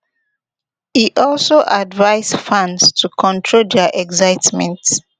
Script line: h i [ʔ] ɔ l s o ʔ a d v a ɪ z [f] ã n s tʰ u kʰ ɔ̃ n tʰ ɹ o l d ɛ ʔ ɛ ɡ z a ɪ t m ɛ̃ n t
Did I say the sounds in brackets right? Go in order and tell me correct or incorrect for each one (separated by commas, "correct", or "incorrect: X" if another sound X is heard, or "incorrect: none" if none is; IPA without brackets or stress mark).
correct, correct